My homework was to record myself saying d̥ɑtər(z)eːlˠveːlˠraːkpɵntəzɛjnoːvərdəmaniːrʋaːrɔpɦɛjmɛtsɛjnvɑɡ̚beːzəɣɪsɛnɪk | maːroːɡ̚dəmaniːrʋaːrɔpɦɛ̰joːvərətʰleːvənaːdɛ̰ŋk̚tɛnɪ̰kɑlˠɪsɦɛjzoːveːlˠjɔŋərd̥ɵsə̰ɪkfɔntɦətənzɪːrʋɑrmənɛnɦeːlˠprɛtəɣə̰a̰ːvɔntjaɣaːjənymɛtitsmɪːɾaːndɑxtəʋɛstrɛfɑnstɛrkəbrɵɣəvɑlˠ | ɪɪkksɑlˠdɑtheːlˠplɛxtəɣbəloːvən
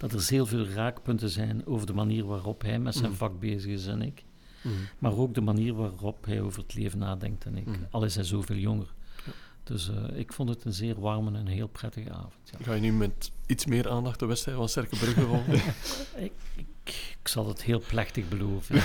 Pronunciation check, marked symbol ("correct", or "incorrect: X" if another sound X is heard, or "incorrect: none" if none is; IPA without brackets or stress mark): correct